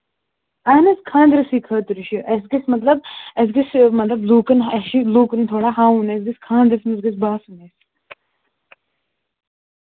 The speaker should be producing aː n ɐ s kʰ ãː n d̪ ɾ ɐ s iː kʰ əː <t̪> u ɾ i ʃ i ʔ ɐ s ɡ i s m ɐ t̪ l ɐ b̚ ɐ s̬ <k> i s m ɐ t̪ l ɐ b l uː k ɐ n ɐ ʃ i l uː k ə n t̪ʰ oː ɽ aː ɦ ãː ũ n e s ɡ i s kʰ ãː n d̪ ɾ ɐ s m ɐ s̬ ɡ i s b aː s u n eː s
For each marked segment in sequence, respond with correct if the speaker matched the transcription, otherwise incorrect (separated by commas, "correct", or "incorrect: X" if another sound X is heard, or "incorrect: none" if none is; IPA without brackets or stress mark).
correct, incorrect: ɡ